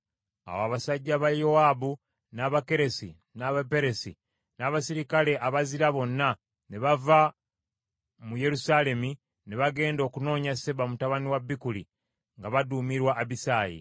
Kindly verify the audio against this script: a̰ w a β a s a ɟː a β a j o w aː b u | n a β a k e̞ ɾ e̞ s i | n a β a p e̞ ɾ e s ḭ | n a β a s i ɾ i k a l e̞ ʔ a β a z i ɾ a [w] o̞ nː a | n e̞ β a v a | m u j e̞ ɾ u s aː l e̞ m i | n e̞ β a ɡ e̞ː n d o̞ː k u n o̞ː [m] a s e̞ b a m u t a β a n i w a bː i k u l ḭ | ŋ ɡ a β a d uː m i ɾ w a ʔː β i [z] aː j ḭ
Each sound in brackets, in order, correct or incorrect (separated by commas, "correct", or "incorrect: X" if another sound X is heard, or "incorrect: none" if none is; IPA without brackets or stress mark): incorrect: β, incorrect: ɲ, incorrect: s